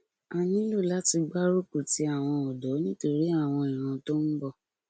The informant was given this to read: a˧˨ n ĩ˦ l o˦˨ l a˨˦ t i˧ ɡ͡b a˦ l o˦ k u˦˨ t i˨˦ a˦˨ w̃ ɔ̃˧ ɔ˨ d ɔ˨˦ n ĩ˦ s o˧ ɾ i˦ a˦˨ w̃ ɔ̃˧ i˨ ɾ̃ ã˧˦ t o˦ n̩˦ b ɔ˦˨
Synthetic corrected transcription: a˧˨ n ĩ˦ l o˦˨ l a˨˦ t i˧ ɡ͡b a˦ ɾ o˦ k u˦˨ t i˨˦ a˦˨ w̃ ɔ̃˧ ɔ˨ d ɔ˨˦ n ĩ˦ t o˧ ɾ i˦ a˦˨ w̃ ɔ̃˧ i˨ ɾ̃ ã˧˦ t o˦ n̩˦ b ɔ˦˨